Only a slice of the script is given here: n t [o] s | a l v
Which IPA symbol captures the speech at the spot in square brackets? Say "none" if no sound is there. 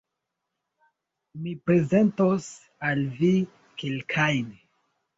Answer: o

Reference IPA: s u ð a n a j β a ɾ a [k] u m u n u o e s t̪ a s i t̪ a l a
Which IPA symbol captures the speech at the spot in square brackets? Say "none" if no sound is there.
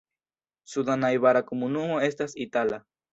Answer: k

